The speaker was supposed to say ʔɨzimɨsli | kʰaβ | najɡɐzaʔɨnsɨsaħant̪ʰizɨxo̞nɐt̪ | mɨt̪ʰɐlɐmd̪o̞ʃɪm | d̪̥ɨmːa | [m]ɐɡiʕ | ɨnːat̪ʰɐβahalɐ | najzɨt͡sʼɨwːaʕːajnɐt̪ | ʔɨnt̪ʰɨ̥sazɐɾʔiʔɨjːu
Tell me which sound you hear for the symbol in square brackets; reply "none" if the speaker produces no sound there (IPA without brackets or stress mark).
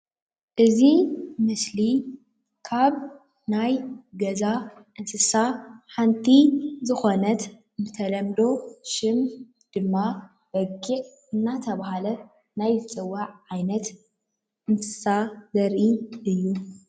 b